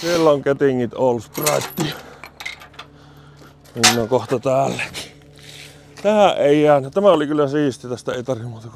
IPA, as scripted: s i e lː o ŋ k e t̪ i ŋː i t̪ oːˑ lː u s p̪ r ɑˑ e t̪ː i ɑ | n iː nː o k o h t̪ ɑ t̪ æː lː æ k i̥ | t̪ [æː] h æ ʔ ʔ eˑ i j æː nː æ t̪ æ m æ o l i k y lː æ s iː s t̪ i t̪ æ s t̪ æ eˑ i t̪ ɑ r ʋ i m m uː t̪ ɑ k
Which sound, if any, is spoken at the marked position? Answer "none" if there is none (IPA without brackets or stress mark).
æ